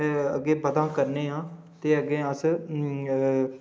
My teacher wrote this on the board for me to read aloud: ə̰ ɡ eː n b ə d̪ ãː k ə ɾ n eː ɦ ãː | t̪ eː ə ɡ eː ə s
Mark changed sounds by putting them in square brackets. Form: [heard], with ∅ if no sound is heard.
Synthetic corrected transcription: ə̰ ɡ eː [∅] b ə d̪ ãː k ə ɾ n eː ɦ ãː | t̪ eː ə ɡ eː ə s